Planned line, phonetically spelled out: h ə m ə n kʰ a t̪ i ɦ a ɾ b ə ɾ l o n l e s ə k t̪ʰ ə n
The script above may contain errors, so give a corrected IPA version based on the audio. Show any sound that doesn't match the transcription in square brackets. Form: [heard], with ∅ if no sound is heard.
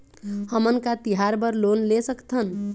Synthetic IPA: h ə m ə n [k] a t̪ i ɦ a ɾ b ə ɾ l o n l e s ə k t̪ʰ ə n